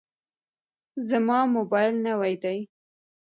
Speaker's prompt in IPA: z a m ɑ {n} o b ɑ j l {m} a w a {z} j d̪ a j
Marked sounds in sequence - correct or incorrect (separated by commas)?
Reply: incorrect, incorrect, incorrect